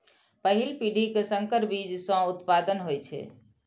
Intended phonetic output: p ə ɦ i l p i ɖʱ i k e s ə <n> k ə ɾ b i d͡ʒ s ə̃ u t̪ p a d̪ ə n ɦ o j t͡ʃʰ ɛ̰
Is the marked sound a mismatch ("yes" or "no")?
yes